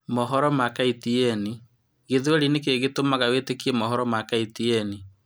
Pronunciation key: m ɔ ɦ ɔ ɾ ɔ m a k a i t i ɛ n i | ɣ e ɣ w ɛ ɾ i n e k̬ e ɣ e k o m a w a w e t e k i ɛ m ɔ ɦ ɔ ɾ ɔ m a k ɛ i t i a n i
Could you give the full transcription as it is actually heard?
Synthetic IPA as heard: m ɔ ɦ ɔ ɾ ɔ m a k a i t i ɛ n i | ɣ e ð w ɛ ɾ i n e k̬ e ɣ e t o m a ɣ a w e t e k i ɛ m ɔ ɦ ɔ ɾ ɔ m a k a i t i ɛ n i